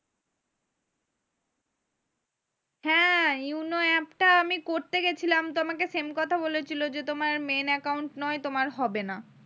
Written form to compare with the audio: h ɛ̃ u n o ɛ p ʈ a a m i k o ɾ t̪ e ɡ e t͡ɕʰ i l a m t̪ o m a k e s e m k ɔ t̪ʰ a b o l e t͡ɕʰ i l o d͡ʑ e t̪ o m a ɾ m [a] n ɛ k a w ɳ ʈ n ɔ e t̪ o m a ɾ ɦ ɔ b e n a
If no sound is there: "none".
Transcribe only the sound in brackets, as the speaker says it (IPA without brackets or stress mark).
e